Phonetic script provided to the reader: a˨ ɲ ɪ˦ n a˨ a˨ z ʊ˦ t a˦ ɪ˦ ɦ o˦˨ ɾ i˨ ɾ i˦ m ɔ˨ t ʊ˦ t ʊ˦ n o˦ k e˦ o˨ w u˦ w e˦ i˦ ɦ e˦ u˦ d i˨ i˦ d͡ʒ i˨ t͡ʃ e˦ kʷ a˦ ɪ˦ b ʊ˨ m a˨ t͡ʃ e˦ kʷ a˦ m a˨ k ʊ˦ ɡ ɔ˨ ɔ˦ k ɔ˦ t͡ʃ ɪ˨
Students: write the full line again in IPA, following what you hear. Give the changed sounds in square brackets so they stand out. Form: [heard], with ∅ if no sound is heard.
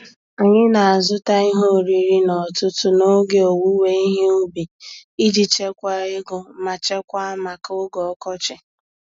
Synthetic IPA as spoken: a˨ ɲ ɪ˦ n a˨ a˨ z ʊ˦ t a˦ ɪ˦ ɦ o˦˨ ɾ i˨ ɾ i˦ [n] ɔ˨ t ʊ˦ t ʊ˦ n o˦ [ɡ] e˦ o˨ w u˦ w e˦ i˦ ɦ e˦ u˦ [b] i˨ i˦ d͡ʒ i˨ t͡ʃ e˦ kʷ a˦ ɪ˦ [ɡ] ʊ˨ m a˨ t͡ʃ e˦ kʷ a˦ m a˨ k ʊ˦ ɡ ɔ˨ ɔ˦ k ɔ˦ t͡ʃ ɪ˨